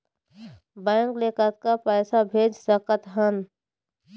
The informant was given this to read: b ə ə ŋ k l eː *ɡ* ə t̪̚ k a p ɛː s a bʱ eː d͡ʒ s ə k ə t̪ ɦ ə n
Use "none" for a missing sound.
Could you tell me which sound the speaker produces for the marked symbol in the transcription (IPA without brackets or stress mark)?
k